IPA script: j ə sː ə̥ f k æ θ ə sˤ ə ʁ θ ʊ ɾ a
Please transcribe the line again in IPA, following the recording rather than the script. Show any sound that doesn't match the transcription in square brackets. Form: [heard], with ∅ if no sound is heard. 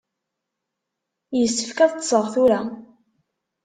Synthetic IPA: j ə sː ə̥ f k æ [ð] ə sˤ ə ʁ θ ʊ ɾ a